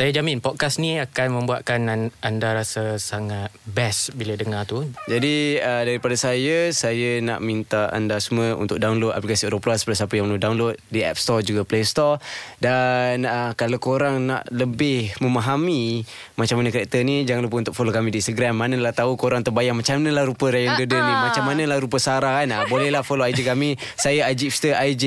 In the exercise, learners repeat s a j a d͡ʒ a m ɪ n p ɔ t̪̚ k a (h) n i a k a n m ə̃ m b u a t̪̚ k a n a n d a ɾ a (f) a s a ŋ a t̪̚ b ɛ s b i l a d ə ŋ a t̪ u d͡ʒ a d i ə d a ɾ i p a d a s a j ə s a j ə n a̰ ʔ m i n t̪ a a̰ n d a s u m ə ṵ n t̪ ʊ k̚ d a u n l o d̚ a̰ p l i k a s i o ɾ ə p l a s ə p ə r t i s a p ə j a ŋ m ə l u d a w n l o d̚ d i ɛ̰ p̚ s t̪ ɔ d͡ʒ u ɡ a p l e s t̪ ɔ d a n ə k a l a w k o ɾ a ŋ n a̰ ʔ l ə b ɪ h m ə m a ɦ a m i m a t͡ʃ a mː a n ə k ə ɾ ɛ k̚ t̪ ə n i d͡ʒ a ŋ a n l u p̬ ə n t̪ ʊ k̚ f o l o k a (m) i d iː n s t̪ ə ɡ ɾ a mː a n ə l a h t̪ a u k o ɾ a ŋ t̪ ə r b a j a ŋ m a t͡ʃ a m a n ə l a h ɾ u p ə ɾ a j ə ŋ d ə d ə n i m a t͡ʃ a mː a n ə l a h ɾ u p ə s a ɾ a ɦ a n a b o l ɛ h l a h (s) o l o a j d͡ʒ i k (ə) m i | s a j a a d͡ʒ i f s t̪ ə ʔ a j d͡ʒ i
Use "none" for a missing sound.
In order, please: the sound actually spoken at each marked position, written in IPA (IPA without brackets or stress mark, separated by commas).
s, s, m, f, a